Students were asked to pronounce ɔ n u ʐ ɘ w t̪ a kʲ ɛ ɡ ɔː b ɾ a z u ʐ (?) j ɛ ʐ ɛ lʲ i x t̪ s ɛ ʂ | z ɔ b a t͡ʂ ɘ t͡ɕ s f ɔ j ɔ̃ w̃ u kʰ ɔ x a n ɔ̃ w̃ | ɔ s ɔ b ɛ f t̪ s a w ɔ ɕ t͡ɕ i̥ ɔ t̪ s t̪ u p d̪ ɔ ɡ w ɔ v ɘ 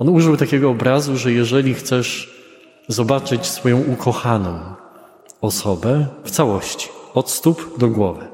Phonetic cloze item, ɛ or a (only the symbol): ɛ